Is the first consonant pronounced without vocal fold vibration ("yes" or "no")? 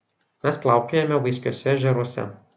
no